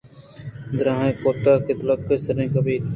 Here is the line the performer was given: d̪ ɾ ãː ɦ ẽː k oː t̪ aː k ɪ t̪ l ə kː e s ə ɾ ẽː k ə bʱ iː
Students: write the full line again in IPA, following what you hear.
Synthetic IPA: d̪ ɾ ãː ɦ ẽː k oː t̪ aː k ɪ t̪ l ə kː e s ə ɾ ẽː k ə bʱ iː